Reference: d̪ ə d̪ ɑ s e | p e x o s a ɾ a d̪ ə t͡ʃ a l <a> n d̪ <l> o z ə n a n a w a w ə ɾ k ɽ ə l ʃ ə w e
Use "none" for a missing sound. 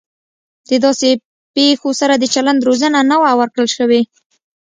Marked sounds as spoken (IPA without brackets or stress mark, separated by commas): a, ɾ